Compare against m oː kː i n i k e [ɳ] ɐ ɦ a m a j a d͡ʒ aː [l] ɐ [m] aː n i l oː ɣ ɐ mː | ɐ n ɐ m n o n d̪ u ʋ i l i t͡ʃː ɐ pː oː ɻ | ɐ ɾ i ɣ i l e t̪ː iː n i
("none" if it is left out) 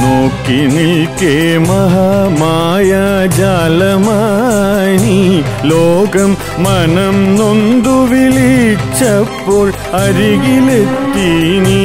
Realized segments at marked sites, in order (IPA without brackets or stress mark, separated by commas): m, l, m